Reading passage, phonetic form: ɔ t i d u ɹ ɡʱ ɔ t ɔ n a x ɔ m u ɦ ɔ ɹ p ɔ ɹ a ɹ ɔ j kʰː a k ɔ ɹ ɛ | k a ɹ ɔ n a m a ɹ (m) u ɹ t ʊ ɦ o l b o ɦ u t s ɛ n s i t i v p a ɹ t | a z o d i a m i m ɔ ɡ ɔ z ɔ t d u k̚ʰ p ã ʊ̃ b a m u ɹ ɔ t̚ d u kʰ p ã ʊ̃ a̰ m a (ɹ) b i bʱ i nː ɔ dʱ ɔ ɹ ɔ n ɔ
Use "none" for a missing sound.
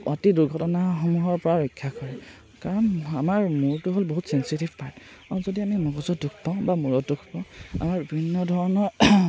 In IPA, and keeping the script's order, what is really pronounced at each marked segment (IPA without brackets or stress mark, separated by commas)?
m, ɹ